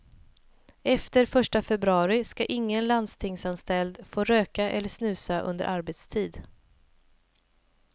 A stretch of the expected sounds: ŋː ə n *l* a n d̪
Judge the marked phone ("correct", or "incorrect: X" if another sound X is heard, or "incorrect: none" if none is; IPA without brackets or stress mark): correct